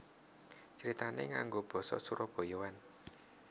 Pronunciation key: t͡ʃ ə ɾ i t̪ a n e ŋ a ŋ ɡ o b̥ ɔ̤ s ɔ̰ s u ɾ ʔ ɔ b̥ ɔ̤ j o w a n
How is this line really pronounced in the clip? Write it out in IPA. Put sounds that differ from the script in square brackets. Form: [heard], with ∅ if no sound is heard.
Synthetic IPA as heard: t͡ʃ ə ɾ i t̪ a n e ŋ a ŋ ɡ o b̥ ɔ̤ s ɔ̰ s u ɾ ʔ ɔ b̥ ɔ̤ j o w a n